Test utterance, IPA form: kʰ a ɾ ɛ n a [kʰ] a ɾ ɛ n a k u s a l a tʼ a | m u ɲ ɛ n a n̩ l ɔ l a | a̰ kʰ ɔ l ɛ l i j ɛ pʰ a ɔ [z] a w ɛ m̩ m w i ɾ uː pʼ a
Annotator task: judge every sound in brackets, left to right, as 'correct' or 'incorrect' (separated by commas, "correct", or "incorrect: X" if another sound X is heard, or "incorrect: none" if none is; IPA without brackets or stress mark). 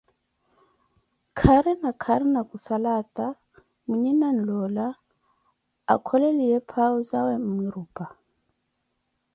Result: correct, correct